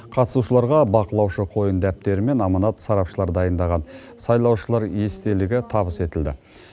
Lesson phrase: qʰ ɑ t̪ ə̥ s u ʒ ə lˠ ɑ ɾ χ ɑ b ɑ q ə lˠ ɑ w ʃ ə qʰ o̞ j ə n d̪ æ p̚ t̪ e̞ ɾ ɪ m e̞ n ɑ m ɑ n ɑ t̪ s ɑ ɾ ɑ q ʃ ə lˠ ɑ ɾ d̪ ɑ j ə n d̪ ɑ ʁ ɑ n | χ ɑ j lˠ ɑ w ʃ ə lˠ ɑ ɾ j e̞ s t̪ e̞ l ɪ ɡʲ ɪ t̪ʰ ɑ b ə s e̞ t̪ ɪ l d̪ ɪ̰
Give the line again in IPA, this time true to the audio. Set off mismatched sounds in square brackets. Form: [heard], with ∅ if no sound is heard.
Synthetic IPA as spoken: qʰ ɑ t̪ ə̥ s u [ʃ] ə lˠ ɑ ɾ [ʁ] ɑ b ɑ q ə lˠ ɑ w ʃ ə qʰ o̞ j ə n d̪ æ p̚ t̪ e̞ ɾ ɪ m e̞ n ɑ m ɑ n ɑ t̪ s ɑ ɾ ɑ [p] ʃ ə lˠ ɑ ɾ d̪ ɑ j ə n d̪ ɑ ʁ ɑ n | [s] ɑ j lˠ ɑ w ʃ ə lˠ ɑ ɾ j e̞ s t̪ e̞ l ɪ ɡʲ ɪ t̪ʰ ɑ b ə s e̞ t̪ ɪ l d̪ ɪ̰